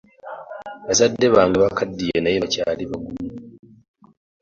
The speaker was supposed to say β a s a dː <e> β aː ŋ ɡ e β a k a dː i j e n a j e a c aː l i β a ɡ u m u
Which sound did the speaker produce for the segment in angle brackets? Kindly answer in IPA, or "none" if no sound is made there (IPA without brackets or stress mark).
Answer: e